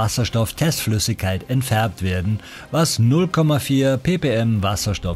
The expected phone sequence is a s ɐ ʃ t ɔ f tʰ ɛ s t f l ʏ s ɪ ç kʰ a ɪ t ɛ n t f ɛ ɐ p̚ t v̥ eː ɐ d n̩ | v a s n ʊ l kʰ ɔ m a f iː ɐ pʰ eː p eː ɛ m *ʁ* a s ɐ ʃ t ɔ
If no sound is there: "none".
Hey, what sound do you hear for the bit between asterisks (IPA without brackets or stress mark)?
v